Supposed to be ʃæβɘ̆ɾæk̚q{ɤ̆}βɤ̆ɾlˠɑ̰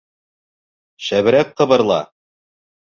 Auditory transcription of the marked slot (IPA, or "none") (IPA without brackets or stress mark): ɤ̆